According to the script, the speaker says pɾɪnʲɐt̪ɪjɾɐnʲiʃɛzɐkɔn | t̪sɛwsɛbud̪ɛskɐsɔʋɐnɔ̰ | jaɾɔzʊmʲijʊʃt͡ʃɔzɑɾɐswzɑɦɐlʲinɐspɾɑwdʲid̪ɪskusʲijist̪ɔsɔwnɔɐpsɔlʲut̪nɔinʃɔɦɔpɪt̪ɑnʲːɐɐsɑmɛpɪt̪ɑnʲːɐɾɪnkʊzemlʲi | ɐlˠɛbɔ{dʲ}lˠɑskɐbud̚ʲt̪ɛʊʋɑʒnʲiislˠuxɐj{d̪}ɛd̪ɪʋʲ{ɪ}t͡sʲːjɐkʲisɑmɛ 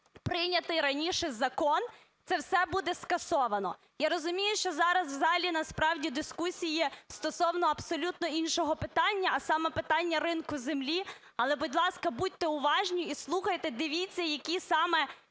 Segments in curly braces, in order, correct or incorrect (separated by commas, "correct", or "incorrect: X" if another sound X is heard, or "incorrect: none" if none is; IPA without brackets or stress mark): correct, incorrect: t̪, incorrect: i